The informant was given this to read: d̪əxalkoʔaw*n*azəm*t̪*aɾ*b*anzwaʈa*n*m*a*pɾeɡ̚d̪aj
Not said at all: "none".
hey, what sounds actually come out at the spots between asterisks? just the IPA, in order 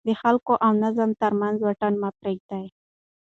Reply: n, t̪, m, n, a

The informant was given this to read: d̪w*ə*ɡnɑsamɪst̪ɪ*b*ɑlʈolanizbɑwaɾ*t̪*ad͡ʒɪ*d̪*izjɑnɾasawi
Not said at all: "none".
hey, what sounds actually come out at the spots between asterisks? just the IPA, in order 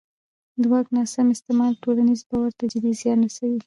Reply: ɑ, m, t̪, d̪

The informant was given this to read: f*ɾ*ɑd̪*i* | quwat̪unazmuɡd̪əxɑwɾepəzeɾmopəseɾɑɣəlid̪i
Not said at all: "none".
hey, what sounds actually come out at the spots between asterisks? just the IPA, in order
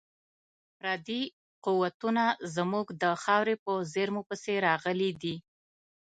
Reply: ɾ, i

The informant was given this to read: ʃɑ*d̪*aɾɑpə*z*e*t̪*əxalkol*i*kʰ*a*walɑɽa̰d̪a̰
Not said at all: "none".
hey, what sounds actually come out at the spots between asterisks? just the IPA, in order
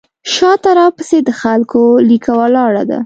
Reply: t̪, s, d̪, i, a

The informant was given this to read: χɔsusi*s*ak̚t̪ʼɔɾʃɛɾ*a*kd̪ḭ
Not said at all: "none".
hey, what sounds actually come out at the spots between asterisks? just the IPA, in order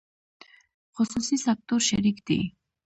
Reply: s, i

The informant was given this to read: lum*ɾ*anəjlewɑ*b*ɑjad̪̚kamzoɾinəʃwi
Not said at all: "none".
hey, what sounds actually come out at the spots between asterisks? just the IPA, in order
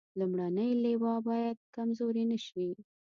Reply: ɽ, b

